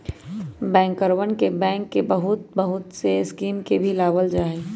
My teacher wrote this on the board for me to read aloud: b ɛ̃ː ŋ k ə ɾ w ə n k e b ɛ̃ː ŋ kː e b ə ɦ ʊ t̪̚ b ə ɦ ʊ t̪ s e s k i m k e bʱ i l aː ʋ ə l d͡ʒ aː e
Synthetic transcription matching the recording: b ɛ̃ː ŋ k ə ɾ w ə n k e b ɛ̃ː ŋ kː e b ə ɦ ʊ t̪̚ b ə ɦ ʊ t̪ s e s k iː m k e bʱ i l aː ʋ ə l d͡ʒ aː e